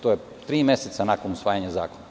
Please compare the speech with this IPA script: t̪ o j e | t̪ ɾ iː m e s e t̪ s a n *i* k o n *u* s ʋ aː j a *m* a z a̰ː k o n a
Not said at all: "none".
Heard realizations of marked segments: a, u, ɲ

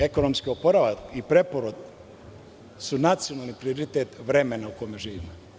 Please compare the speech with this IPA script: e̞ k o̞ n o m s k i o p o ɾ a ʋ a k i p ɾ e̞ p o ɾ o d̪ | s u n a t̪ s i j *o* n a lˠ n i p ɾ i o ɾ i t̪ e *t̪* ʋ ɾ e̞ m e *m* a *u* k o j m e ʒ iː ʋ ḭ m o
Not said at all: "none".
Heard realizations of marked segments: o, t̪, n, u

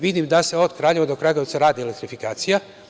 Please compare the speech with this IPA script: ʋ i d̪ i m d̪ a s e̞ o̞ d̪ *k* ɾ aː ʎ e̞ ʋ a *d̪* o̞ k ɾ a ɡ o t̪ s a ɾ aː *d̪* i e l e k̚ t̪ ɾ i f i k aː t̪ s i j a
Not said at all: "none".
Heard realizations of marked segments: k, d̪, d̪

